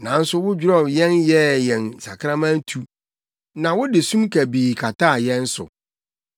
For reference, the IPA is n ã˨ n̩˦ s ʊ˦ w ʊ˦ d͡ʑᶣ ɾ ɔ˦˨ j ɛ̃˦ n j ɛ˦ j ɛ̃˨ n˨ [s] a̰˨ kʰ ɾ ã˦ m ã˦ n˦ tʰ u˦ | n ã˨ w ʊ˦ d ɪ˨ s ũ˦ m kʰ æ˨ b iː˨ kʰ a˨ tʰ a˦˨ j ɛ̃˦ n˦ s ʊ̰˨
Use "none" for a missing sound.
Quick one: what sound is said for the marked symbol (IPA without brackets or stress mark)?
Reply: s